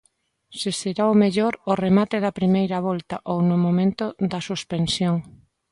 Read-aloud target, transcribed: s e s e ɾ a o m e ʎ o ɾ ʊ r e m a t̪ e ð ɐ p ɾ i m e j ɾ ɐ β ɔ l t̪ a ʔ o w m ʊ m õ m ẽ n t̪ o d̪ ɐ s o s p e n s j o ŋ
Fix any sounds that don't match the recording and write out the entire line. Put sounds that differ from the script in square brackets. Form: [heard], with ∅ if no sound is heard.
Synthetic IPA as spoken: s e s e ɾ a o m e ʎ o ɾ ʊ r e m a t̪ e ð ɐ p ɾ i m e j ɾ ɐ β ɔ l t̪ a ʔ o w [n] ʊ m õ m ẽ n t̪ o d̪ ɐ s [u] s p e n s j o ŋ